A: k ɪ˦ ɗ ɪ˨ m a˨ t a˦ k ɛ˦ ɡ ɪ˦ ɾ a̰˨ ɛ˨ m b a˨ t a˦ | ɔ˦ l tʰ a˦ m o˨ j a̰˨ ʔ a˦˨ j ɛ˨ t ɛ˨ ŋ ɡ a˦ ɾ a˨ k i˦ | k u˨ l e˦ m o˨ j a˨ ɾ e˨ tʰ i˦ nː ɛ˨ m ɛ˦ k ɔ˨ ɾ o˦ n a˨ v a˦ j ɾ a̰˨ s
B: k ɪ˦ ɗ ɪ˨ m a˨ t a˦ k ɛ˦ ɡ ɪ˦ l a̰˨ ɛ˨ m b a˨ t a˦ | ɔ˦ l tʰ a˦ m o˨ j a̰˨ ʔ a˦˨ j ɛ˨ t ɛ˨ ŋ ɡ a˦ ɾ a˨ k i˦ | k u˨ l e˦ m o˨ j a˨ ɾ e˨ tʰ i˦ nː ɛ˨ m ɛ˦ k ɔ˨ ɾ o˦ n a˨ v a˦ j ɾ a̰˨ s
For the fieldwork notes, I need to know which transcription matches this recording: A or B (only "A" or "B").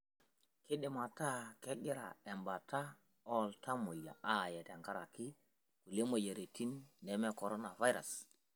A